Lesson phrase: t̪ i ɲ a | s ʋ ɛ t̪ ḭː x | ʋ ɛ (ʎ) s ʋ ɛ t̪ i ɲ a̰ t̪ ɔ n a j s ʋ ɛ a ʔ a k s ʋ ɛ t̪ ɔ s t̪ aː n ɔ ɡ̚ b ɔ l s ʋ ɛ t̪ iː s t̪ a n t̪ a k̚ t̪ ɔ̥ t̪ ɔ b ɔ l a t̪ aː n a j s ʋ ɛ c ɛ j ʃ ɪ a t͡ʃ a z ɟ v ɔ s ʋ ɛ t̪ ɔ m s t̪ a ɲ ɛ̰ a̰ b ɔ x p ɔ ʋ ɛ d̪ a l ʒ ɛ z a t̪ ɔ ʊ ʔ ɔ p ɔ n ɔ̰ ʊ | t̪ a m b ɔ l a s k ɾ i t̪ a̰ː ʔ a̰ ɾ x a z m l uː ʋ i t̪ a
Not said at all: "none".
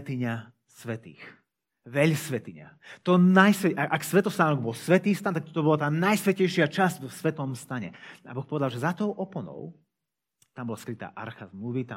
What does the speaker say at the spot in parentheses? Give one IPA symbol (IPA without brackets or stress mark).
ʎ